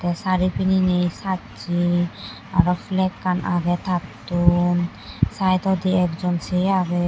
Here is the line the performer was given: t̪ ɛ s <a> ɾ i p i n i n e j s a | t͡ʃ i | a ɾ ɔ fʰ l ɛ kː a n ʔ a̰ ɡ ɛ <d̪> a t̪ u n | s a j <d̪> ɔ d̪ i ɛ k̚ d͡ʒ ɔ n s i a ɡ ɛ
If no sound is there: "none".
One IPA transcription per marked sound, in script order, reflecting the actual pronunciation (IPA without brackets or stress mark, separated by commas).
a, t̪, t̪